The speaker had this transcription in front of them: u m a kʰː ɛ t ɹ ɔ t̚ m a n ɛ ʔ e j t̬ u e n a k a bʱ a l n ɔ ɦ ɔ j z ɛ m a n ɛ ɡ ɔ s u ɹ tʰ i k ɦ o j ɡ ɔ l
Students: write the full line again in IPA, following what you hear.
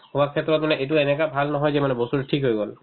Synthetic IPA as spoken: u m a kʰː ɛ t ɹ ɔ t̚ m a n ɛ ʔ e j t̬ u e n ɛ k a bʱ a l n ɔ ɦ ɔ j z ɛ m a n ɛ b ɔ s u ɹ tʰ i k ɦ o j ɡ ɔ l